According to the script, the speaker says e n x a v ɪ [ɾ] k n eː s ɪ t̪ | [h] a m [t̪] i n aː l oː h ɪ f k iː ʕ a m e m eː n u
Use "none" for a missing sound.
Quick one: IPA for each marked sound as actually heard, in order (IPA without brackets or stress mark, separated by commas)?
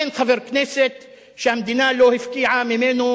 ɾ, ʃ, d̪